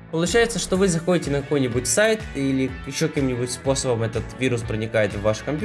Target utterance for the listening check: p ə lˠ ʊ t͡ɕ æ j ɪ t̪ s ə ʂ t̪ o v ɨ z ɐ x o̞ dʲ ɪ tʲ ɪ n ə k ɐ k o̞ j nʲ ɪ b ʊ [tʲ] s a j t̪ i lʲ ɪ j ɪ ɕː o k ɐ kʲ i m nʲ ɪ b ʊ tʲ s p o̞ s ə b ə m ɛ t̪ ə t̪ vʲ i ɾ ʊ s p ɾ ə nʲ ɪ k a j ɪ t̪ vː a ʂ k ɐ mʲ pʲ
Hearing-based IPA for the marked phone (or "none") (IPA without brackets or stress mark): tʲ